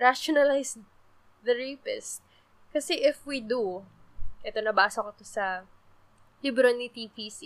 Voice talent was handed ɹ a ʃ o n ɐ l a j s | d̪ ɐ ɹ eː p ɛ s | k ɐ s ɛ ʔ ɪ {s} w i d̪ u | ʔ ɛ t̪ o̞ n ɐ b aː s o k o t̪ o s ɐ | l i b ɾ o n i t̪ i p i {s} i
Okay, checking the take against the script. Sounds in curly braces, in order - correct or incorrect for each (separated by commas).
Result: incorrect, correct